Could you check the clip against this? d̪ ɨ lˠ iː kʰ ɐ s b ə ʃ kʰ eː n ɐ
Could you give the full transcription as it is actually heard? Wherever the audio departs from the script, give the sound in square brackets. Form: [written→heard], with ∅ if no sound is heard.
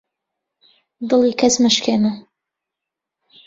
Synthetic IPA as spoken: d̪ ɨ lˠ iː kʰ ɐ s [b→m] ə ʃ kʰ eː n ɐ